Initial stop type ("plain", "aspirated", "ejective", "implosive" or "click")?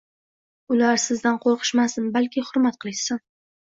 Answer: plain